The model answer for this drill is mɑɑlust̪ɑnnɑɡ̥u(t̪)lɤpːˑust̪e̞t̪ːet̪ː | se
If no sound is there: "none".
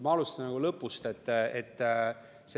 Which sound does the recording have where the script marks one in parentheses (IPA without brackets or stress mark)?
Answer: none